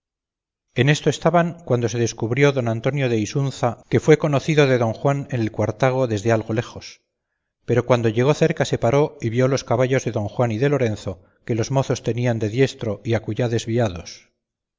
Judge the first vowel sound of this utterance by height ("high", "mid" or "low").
mid